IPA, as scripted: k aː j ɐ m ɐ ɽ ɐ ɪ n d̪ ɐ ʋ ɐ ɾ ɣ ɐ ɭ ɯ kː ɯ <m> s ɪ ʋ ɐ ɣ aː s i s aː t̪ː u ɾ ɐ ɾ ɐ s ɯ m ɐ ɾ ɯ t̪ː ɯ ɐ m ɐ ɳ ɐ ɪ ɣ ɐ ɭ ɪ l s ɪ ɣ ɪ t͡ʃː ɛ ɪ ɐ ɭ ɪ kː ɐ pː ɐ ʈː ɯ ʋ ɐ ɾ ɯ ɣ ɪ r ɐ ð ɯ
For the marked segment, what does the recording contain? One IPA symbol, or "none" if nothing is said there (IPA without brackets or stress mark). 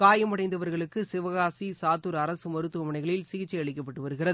none